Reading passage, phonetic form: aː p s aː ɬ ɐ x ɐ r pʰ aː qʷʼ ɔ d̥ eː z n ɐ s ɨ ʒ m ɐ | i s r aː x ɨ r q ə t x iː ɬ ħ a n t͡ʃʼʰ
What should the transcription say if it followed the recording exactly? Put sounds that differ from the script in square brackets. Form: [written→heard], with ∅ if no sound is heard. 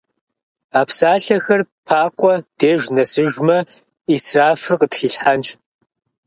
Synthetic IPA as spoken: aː p s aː ɬ ɐ x ɐ r pʰ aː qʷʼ ɔ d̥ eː [z→ʒ] n ɐ s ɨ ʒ m ɐ | i s r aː [x→f] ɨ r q ə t x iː ɬ ħ a n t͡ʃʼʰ